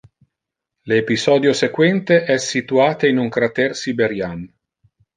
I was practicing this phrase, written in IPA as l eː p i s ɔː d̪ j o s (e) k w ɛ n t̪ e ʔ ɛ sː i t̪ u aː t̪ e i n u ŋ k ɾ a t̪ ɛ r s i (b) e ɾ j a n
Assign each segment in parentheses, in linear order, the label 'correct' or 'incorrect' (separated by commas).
correct, correct